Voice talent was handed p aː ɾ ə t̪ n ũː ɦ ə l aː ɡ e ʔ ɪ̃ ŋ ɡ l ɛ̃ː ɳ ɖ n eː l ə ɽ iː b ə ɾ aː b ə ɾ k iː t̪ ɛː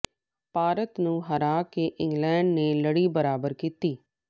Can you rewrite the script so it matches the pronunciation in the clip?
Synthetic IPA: p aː ɾ ə t̪ n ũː ɦ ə ɾ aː k e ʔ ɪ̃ ŋ ɡ l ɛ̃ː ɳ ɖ n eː l ə ɽ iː b ə ɾ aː b ə ɾ k iː t̪ iː